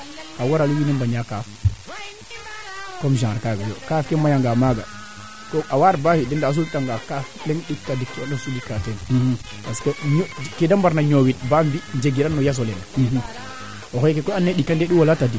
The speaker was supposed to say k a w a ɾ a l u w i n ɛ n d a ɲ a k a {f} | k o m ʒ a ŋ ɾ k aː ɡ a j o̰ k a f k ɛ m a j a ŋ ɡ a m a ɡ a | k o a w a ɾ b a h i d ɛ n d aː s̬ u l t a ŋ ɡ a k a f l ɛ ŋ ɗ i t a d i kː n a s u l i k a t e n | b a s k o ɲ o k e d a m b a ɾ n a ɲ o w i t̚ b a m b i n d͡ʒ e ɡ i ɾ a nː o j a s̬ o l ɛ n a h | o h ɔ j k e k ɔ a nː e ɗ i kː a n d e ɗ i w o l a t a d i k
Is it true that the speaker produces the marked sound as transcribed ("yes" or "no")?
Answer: yes